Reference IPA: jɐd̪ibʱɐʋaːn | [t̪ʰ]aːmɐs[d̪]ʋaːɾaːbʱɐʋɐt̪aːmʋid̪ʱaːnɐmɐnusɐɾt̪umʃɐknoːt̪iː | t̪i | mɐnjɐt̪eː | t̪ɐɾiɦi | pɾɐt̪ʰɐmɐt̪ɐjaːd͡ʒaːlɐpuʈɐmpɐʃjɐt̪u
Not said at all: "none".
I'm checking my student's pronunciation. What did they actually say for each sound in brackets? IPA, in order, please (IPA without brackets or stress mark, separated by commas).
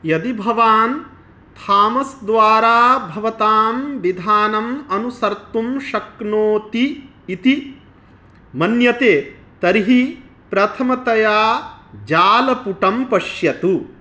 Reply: t̪ʰ, d̪